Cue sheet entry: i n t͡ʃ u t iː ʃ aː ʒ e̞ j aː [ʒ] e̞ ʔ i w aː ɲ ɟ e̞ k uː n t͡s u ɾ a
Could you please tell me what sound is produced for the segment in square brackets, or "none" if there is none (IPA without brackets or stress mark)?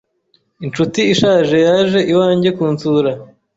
ʒ